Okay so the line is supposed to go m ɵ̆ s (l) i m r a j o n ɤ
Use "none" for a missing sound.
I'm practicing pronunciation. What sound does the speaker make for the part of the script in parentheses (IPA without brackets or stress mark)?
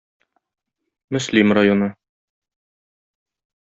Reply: l